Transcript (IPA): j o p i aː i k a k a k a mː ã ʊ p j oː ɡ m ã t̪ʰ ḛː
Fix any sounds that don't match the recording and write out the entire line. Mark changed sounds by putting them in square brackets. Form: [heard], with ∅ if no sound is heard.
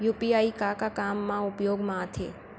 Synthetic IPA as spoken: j [u] p i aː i k a k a k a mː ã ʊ p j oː ɡ m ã t̪ʰ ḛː